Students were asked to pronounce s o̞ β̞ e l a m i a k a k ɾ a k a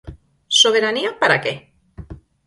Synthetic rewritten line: s o̞ β̞ e ɾ a n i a p a ɾ a k e